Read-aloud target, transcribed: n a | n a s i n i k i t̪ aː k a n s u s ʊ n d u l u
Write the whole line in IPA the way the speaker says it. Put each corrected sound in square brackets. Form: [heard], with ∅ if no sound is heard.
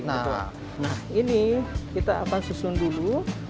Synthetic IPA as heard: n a | n a [h] i n i k i t̪ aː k a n s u s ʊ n d u l u